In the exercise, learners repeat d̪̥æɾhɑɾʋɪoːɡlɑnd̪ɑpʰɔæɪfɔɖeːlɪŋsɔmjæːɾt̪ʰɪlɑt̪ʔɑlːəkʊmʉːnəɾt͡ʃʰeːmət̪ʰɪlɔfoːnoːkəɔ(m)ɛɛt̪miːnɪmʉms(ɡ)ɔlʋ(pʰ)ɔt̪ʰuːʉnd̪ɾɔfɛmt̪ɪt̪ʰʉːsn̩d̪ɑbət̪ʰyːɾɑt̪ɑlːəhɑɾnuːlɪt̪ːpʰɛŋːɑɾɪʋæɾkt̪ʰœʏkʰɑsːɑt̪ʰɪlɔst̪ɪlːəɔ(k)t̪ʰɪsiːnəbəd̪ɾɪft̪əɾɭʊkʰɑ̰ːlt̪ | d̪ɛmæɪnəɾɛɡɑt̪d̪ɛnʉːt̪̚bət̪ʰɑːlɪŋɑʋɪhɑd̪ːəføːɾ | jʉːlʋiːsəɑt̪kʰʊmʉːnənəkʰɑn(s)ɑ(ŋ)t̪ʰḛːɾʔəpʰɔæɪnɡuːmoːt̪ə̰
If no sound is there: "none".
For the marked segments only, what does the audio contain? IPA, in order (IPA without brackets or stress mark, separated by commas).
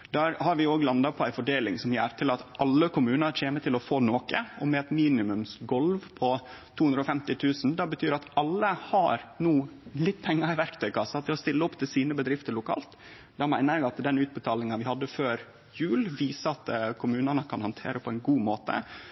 m, ɡ, pʰ, p, h, n